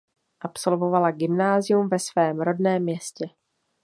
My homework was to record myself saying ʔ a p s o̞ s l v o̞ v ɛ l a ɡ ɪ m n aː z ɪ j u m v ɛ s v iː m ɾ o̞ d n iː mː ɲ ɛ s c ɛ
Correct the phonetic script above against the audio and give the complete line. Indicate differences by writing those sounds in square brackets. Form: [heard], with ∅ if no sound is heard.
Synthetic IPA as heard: ʔ a p s o̞ [∅] l v o̞ v [a] l a ɡ ɪ m n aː z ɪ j u m v ɛ s v [ɛː] m ɾ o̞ d n [ɛː] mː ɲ ɛ s c ɛ